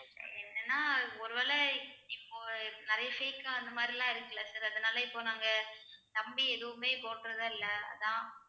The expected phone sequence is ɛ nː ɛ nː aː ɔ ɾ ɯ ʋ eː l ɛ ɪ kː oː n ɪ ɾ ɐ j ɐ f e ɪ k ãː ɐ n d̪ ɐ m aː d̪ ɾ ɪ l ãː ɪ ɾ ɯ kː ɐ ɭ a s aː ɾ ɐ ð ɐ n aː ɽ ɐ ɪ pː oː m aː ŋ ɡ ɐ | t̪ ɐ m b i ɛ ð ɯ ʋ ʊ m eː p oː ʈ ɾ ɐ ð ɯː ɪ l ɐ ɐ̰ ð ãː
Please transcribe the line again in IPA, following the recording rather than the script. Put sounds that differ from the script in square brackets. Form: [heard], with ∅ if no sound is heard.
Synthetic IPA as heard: ɛ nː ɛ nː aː ɔ ɾ ɯ ʋ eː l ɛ ɪ [pː] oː n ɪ ɾ ɐ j ɐ f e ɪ k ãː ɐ n d̪ ɐ m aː d̪ ɾ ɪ l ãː ɪ ɾ ɯ kː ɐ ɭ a s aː ɾ ɐ ð ɐ n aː [l] ɐ ɪ pː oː [n] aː ŋ ɡ ɐ | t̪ ɐ m b i ɛ ð ɯ ʋ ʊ m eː p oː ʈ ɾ ɐ ð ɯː ɪ [lː] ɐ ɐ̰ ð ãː